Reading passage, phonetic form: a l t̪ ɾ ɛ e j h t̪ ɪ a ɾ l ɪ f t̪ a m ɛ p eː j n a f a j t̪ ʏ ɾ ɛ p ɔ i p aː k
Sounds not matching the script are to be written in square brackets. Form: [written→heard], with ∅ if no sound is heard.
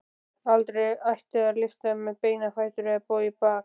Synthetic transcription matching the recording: a l t̪ ɾ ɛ [e→a] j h t̪ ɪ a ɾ l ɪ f t̪ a m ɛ p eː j n a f a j t̪ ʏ ɾ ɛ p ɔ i p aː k